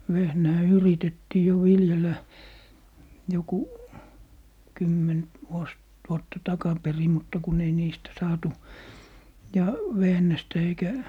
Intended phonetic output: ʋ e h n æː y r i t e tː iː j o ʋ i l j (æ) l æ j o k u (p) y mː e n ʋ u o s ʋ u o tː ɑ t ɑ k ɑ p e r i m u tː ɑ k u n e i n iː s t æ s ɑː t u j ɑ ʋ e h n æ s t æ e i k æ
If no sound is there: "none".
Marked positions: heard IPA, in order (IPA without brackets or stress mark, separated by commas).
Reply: e, k